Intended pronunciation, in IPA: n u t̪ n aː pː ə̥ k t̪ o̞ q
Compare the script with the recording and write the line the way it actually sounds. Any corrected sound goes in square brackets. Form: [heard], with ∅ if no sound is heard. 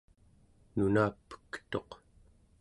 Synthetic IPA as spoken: n u [∅] n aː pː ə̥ k t̪ o̞ q

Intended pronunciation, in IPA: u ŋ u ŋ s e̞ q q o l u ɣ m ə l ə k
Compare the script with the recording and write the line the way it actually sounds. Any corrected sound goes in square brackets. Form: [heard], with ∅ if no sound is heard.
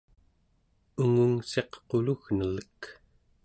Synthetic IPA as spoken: u ŋ u ŋ s e̞ q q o l u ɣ [n] ə l ə k

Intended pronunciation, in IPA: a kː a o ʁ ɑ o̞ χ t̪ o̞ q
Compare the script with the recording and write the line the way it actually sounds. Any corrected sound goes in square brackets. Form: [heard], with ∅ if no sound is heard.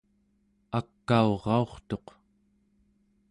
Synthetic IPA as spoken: a kː a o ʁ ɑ o̞ χ t̪ o̞ q

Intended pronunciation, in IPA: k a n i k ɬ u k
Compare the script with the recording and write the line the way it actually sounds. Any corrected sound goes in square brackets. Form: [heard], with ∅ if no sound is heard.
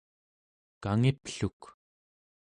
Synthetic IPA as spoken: k a [ŋ] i [p] ɬ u k

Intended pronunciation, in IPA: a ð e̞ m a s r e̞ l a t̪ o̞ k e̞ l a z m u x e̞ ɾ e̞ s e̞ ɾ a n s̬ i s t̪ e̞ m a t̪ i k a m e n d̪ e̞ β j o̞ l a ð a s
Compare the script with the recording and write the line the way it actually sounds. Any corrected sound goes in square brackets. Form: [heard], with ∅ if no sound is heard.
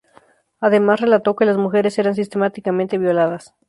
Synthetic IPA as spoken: a ð e̞ m a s r e̞ l a t̪ o̞ k e̞ l a z m u x e̞ ɾ e̞ s e̞ ɾ a n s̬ i s t̪ e̞ m a t̪ i k a m e n [t̪] e̞ β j o̞ l a ð a s

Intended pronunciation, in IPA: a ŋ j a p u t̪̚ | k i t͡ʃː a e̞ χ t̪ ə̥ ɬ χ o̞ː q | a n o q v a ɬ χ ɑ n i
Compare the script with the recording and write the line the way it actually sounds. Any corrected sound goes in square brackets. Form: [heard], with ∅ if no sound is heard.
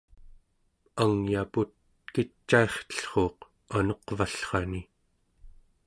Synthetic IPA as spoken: a ŋ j a p u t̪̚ | k i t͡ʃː a e̞ χ t̪ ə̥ ɬ χ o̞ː q | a n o q v a ɬ χ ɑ n i

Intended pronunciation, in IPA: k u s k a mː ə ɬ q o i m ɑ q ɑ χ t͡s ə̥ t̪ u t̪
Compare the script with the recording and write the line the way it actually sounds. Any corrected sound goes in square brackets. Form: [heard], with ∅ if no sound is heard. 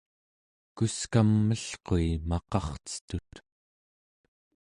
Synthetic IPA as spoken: k u s k a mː ə ɬ q o i m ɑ q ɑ χ t͡s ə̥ t̪ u t̪

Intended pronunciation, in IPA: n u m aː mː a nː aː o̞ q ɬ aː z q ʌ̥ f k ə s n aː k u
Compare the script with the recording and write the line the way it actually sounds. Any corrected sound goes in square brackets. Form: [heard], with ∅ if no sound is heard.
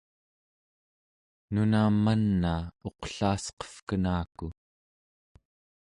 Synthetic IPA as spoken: n u [n] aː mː a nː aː o̞ q ɬ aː [s] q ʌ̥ f k ə [∅] n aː k u

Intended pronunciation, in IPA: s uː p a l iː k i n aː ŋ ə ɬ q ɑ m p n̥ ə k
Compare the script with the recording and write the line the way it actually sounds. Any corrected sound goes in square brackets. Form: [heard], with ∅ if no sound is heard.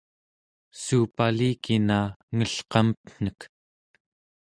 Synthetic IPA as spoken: s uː p a l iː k i n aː ŋ ə ɬ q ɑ m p n̥ ə k

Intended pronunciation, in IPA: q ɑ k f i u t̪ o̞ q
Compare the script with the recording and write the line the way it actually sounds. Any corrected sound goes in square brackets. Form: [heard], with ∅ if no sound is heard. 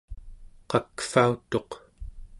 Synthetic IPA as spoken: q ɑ k f [a] u t̪ o̞ q

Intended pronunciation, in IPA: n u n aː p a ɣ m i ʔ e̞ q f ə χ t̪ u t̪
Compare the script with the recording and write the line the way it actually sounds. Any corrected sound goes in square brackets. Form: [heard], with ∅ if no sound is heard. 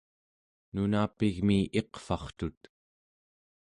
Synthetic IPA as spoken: n u n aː p [i] ɣ m i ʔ e̞ q f [ɑ] χ t̪ u t̪

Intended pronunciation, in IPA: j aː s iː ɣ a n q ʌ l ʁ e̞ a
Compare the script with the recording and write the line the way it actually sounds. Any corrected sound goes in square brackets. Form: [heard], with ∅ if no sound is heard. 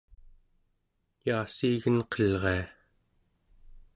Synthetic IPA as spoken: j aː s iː ɣ [ə] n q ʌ l ʁ e̞ a

